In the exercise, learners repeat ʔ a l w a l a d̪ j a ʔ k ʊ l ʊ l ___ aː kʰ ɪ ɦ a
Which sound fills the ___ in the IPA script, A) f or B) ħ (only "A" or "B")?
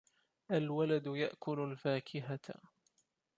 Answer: A